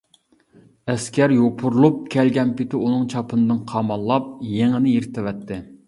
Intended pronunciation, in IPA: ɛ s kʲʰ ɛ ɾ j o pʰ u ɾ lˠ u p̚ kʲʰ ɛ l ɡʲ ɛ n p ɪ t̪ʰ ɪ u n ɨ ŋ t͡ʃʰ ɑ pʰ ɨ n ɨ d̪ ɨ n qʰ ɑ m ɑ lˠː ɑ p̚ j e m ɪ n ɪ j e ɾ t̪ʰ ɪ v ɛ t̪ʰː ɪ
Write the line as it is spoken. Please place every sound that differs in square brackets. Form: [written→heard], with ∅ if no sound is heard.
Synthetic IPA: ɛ s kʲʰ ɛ ɾ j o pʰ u ɾ lˠ u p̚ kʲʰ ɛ l ɡʲ ɛ n p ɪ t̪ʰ ɪ u n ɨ ŋ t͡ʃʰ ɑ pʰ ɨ n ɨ d̪ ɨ n qʰ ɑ m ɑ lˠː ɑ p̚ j e [m→ŋ] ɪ n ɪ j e ɾ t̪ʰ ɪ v ɛ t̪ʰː ɪ